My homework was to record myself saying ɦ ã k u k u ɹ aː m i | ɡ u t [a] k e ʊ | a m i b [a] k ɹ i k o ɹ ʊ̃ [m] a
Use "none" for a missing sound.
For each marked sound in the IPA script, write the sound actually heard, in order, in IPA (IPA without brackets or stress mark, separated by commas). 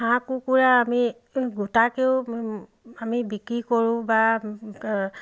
a, i, b